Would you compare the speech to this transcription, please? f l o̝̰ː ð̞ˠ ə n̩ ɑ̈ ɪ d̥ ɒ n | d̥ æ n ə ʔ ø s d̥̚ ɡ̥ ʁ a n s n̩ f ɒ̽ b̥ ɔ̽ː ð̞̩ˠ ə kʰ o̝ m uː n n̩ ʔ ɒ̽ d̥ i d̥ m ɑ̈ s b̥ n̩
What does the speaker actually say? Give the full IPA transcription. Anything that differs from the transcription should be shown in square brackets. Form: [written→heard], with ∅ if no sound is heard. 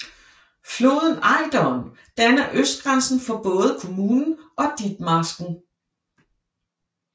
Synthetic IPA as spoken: f l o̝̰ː ð̞ˠ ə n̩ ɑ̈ ɪ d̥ ɒ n | d̥ æ n [ə→ɐ] ʔ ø s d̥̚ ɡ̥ ʁ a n s n̩ f ɒ̽ b̥ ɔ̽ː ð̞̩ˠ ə kʰ o̝ m uː n n̩ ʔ ɒ̽ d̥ i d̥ m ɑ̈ s [b̥→ɡ̥] n̩